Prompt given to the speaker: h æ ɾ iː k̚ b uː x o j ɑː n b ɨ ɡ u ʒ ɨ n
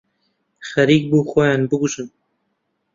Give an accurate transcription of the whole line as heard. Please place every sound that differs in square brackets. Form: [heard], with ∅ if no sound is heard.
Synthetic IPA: [x] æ ɾ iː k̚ b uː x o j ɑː n b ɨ ɡ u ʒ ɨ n